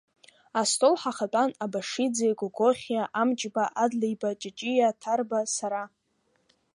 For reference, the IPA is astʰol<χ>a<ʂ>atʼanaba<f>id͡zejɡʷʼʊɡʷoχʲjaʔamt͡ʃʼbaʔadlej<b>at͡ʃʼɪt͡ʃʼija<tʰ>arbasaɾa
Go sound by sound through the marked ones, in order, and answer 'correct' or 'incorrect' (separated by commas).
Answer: incorrect, incorrect, incorrect, correct, correct